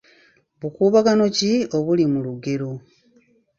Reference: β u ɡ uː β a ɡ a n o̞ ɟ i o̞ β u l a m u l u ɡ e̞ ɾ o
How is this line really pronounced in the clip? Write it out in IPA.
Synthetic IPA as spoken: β u k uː β a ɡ a n o̞ c i o̞ β u l i m u l u ɡ e̞ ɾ o